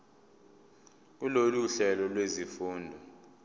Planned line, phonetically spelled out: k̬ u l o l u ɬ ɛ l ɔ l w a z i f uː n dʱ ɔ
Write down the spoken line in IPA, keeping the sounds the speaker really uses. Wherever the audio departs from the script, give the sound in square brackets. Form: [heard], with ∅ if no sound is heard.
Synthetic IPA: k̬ u l o l u ɬ ɛ l ɔ l w [e] z i f uː n dʱ ɔ